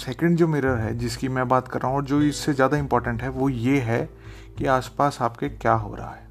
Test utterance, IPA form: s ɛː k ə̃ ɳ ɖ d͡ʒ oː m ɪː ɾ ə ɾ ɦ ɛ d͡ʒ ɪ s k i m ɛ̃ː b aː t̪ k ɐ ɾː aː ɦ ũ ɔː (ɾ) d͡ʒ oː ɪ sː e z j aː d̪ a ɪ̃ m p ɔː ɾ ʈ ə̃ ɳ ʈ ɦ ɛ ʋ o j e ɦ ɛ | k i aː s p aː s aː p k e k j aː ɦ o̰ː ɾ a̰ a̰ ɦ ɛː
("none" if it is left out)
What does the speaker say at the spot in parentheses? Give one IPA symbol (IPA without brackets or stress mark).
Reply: ɾ